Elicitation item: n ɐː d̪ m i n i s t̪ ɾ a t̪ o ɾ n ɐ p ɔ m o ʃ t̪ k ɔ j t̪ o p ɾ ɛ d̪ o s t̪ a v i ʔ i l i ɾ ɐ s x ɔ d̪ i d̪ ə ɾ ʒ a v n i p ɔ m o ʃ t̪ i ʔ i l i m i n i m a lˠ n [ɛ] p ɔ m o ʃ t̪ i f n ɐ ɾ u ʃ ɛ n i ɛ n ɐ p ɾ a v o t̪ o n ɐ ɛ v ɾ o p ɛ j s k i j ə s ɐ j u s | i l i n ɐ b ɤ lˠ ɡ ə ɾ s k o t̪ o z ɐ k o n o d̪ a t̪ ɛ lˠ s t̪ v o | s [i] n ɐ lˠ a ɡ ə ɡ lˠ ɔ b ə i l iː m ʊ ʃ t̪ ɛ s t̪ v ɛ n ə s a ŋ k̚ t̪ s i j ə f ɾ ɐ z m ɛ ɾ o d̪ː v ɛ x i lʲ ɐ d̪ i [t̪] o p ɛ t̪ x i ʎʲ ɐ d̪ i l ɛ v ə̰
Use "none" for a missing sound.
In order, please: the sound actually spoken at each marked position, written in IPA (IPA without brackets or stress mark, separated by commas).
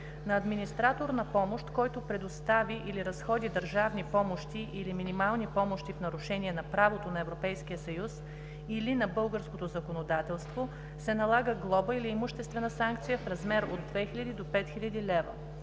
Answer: i, ɛ, d̪